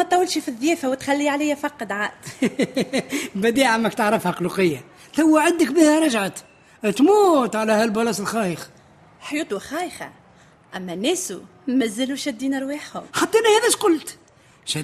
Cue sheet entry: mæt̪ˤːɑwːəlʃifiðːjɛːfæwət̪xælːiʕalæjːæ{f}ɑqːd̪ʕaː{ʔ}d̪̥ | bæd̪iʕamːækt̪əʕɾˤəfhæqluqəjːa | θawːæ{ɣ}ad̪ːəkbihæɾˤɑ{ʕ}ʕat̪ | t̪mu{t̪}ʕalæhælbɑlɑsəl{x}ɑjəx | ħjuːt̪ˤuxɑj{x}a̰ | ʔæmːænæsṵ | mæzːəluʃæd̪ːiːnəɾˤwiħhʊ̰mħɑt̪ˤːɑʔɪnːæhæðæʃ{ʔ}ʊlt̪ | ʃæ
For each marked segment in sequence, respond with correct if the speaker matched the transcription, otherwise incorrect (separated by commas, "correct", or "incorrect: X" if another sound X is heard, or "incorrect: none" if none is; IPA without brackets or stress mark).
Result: correct, correct, incorrect: ʕ, incorrect: ʒ, correct, correct, correct, incorrect: q